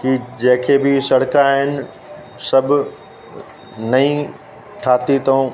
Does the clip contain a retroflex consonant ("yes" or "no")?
yes